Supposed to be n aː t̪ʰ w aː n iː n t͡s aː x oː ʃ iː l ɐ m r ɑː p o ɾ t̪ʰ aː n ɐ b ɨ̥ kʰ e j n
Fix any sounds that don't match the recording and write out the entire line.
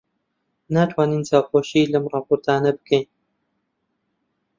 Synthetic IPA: n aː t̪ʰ w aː n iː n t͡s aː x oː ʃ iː l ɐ m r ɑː p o ɾ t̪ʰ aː n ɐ b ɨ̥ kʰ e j n